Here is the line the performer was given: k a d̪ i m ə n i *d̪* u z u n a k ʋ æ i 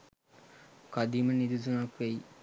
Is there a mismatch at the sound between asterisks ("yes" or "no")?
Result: no